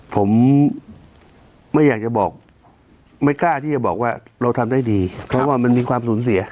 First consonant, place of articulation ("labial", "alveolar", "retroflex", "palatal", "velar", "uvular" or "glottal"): labial